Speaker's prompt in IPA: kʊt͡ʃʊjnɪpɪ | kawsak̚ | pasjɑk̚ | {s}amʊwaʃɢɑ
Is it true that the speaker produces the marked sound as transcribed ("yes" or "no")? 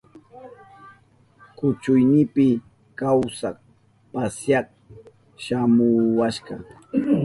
no